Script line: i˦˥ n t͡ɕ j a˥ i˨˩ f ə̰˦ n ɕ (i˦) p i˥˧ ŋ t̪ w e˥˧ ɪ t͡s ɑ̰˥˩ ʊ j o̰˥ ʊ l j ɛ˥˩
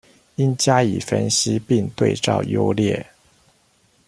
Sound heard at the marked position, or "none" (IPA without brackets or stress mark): i˦